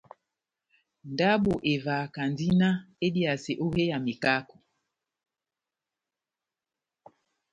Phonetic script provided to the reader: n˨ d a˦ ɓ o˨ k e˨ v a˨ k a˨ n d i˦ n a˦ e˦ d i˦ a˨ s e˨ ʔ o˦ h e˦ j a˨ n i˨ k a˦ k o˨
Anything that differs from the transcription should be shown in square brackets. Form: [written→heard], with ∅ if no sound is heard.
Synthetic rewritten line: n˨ d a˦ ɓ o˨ [k→ʔ] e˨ v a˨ k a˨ n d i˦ n a˦ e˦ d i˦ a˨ s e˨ ʔ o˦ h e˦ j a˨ [n→m] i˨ k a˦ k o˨